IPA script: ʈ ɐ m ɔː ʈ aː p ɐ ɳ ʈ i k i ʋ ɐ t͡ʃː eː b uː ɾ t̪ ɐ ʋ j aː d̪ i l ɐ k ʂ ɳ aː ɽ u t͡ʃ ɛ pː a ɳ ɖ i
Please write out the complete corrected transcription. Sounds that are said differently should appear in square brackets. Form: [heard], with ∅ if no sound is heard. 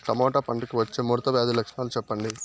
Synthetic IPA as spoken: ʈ ɐ m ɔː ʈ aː p ɐ ɳ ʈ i k i ʋ ɐ t͡ʃː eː [m] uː ɾ t̪ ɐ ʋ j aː d̪ i l ɐ k ʂ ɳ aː [l] u t͡ʃ ɛ pː [ɐ] ɳ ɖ i